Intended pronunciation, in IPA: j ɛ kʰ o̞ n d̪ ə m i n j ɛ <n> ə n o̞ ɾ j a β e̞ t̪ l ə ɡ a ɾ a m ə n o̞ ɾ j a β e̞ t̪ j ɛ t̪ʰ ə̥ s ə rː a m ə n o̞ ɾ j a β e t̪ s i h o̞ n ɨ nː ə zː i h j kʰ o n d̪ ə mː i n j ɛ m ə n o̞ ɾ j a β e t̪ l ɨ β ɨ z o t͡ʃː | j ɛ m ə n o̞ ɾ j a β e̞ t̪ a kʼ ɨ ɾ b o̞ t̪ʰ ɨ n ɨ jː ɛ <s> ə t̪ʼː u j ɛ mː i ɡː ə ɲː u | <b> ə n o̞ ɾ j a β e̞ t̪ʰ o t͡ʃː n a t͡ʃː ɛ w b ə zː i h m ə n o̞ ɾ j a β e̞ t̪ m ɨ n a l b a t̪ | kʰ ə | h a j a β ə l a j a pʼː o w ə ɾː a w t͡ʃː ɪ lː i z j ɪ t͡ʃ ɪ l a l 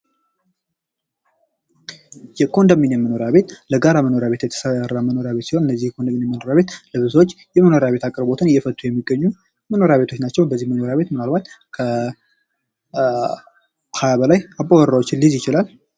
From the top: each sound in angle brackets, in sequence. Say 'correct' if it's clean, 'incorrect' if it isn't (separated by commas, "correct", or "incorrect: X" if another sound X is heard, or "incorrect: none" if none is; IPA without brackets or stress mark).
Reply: incorrect: m, incorrect: f, incorrect: m